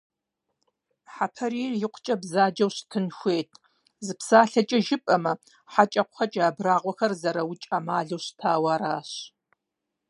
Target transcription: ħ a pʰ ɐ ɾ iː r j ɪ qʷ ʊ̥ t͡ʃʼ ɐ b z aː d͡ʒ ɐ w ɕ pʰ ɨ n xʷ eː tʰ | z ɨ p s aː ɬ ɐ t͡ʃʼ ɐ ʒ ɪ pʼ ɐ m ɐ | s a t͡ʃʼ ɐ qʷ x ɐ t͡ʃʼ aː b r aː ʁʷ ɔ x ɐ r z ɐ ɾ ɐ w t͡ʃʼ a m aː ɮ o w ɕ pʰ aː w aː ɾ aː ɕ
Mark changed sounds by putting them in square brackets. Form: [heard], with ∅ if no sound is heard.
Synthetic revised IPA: ħ a pʰ ɐ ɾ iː r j ɪ qʷ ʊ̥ t͡ʃʼ ɐ b z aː d͡ʒ ɐ w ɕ [tʰ] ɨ n xʷ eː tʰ | z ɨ p s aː ɬ ɐ t͡ʃʼ ɐ ʒ ɪ pʼ ɐ m ɐ | [ħ] a t͡ʃʼ ɐ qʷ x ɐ t͡ʃʼ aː b r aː ʁʷ ɔ x ɐ r z ɐ ɾ ɐ w t͡ʃʼ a m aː ɮ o w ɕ [tʰ] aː w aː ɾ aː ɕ